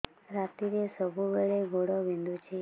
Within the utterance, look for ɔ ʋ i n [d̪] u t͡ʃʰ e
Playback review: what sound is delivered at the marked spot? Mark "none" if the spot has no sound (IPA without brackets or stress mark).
d̪